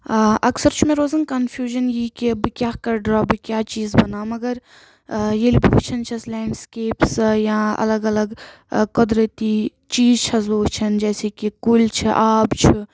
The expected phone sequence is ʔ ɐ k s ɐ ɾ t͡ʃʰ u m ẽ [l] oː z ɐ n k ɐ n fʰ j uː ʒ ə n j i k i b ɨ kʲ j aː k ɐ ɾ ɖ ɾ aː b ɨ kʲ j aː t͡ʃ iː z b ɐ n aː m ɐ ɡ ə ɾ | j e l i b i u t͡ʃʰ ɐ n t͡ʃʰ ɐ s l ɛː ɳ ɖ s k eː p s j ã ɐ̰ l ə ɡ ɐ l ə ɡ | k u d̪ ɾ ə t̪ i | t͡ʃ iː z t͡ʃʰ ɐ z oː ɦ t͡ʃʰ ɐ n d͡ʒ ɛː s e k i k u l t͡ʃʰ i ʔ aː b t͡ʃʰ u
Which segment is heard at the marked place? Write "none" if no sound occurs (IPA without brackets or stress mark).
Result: ɾ